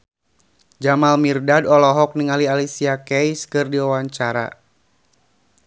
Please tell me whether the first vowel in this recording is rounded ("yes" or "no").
no